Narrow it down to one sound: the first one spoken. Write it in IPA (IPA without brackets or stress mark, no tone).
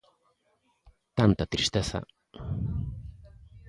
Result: t̪